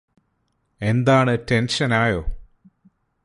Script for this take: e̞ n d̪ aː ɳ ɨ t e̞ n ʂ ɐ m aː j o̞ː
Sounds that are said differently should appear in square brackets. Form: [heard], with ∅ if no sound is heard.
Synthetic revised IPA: e̞ n d̪ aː ɳ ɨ t e̞ n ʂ ɐ [n] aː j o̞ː